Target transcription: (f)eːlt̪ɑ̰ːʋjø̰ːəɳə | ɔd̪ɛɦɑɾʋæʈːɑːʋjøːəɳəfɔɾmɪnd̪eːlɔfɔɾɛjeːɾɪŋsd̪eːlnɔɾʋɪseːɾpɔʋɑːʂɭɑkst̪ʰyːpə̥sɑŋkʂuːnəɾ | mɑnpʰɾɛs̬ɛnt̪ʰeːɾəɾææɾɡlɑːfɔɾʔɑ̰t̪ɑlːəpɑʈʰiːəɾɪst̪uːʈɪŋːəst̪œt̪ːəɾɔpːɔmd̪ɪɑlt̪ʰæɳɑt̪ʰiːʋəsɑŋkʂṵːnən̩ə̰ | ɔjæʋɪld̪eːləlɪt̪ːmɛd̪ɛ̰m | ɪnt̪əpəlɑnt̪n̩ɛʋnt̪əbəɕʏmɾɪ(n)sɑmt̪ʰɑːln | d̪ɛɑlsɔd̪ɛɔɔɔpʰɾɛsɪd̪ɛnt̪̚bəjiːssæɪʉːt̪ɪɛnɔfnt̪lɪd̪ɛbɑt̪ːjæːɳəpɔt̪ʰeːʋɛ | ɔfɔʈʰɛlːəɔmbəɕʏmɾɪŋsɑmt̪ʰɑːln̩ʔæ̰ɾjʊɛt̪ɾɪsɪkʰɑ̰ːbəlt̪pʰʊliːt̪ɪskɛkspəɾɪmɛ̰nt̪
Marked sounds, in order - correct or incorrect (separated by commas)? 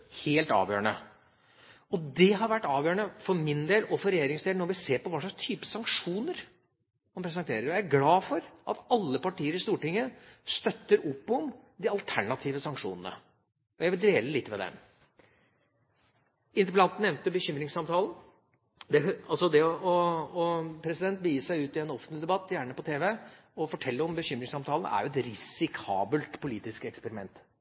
incorrect, incorrect